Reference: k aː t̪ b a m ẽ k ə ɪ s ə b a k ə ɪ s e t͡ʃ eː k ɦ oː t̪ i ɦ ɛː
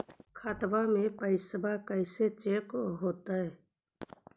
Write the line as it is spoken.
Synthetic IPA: kʰ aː t̪ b a m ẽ p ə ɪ s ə b a k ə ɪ s e t͡ʃ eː k ɦ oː t̪ a ɦ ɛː